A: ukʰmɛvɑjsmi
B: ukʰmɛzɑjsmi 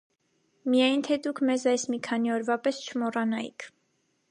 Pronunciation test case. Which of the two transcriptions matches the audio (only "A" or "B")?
B